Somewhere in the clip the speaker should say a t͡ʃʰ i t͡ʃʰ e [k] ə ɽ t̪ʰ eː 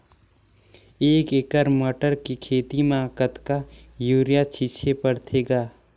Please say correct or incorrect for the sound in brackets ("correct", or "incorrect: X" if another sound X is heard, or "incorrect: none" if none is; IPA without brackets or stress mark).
incorrect: p